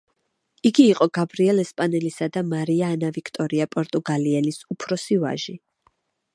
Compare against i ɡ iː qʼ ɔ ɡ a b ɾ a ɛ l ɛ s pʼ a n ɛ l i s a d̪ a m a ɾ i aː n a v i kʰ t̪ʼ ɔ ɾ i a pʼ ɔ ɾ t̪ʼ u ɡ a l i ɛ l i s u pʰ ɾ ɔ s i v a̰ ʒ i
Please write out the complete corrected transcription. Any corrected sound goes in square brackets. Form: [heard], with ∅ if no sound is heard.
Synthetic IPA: i ɡ iː qʼ ɔ ɡ a b ɾ [i] ɛ l ɛ s pʼ a n ɛ l i s a d̪ a m a ɾ i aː n a v i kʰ t̪ʼ ɔ ɾ i a pʼ ɔ ɾ t̪ʼ u ɡ a l i ɛ l i s u pʰ ɾ ɔ s i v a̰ ʒ i